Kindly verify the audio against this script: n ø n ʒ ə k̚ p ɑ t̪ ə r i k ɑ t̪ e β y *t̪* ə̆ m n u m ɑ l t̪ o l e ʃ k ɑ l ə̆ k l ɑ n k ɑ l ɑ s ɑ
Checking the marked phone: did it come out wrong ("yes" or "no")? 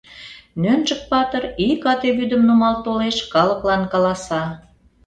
yes